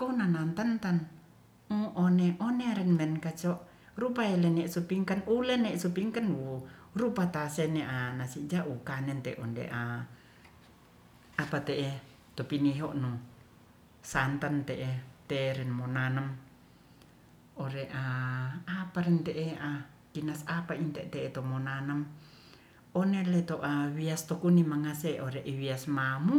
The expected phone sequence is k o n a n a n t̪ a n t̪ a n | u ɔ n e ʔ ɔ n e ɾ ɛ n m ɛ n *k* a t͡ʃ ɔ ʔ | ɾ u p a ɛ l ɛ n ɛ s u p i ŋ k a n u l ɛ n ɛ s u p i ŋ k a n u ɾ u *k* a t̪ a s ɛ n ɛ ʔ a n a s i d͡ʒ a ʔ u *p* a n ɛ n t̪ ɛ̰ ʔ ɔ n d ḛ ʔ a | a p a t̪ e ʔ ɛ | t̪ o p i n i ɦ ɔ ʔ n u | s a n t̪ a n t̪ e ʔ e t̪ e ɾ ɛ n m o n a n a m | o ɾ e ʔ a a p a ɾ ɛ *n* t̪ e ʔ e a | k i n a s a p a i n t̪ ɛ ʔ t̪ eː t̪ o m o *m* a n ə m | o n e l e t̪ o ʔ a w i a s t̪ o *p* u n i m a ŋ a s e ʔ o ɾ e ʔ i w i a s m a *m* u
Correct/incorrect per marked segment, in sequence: correct, incorrect, incorrect, correct, incorrect, incorrect, correct

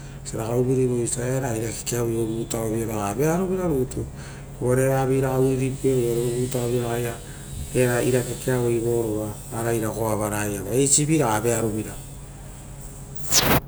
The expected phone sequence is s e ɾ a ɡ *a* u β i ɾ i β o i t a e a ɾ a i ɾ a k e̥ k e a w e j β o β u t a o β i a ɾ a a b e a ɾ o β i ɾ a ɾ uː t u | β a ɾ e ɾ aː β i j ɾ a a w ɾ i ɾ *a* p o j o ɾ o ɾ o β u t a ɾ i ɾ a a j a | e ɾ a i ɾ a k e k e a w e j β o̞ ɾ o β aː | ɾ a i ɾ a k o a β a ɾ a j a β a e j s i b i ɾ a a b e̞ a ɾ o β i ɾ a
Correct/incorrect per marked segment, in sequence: correct, incorrect

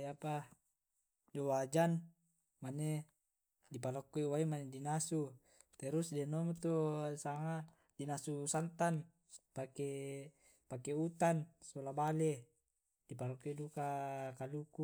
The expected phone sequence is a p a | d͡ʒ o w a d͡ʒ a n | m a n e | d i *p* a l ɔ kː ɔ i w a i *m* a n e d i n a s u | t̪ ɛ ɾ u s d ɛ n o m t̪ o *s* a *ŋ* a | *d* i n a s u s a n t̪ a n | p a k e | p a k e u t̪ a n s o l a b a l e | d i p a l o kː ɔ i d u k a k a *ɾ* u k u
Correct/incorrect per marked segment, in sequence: correct, correct, correct, correct, correct, incorrect

